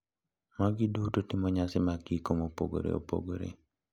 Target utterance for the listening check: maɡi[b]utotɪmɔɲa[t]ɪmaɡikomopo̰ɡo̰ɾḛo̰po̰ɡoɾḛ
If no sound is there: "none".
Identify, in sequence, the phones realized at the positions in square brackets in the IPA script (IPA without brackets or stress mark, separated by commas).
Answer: d, s